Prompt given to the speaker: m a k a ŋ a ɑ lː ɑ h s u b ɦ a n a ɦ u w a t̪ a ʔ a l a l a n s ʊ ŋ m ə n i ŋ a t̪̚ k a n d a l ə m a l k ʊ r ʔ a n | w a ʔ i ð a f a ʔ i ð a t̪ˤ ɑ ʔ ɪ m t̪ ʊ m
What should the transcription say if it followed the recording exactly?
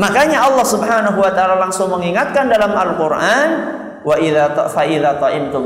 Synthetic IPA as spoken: m a k a ɲ a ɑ lː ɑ h s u b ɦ a n a ɦ u w a t̪ a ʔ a l a l a ŋ s ʊ ŋ m ə ŋ i ŋ a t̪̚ k a n d a l a m a l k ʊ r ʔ a n | w a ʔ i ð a f a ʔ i ð a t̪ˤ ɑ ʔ ɪ m t̪ ʊ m